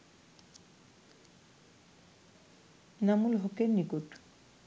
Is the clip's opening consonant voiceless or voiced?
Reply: voiced